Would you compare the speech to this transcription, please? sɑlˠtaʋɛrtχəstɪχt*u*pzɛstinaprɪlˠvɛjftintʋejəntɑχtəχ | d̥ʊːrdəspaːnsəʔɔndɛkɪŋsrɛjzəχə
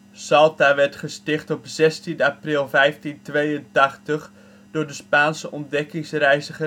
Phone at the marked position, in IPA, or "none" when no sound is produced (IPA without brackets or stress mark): ɔ